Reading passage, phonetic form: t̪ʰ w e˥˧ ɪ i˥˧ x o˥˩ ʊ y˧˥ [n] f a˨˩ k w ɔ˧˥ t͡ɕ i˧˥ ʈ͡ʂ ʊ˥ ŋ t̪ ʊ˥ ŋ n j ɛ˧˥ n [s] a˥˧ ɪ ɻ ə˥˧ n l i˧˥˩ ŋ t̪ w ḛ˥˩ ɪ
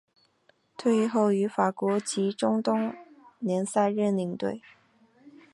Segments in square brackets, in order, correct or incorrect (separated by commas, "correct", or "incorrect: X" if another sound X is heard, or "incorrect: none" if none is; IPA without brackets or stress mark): incorrect: none, correct